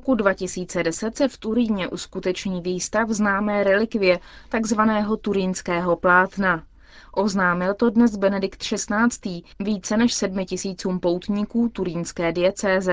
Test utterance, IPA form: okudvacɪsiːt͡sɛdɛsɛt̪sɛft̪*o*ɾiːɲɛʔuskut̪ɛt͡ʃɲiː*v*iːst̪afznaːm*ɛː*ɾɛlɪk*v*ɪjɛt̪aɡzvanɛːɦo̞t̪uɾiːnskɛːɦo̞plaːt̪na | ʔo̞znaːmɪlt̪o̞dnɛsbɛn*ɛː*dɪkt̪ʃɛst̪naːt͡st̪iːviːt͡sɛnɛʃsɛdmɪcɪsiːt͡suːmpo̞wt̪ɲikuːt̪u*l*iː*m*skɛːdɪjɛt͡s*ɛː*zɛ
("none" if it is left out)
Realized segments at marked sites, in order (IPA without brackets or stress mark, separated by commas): u, v, ɛː, v, ɛ, ɾ, n, ɛː